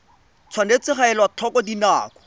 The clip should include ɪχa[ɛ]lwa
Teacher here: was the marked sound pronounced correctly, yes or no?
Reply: yes